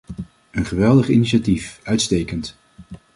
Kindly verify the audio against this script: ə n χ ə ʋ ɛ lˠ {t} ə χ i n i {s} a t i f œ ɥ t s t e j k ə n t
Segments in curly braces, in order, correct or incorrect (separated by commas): incorrect, incorrect